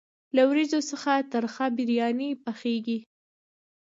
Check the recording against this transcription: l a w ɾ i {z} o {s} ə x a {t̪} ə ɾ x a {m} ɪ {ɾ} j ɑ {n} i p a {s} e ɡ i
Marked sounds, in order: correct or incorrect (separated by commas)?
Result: correct, correct, correct, incorrect, correct, correct, incorrect